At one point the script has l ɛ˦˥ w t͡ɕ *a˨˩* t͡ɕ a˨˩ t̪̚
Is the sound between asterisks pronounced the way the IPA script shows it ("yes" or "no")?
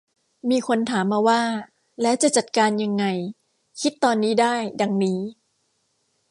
yes